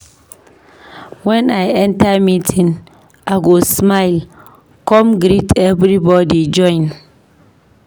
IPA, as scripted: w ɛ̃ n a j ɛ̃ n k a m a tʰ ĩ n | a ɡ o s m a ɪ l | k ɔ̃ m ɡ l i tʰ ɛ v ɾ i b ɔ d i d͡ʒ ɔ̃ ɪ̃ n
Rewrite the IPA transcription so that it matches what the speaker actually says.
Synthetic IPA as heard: w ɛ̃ n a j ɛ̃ n t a m i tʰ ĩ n | a ɡ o s m a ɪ l | k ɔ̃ m ɡ ɾ i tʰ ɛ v ɾ i b ɔ d i d͡ʒ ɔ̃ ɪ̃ n